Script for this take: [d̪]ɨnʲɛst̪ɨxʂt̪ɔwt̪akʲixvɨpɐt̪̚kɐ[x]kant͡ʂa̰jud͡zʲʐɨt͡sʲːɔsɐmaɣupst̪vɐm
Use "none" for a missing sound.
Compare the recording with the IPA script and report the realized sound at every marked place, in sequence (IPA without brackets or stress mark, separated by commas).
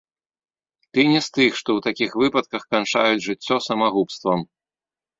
t̪, x